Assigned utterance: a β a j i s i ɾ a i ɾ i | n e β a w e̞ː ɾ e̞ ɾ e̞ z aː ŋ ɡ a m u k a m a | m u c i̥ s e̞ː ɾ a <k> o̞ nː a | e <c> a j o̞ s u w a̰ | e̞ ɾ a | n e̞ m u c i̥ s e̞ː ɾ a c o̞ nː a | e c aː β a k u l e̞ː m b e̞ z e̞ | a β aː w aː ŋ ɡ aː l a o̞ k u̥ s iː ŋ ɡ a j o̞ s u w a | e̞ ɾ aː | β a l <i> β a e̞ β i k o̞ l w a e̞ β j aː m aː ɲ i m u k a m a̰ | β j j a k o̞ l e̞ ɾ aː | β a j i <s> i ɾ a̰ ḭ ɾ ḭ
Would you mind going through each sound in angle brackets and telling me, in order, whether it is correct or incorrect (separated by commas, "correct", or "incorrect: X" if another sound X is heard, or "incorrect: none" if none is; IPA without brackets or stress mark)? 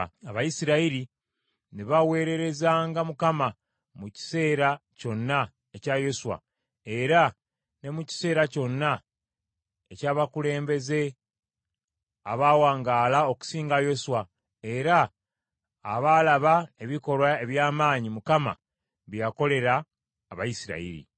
incorrect: c, correct, incorrect: a, correct